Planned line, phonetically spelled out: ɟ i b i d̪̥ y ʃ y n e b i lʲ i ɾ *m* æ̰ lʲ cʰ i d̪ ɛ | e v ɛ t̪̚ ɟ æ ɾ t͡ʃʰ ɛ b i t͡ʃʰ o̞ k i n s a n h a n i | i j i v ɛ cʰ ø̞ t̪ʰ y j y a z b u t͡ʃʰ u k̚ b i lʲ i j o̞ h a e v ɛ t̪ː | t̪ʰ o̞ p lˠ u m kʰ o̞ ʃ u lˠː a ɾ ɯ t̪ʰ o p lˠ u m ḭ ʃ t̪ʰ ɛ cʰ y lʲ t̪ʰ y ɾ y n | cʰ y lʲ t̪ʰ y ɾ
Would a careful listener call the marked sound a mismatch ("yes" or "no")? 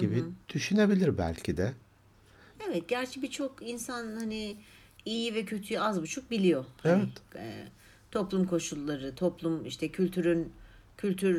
yes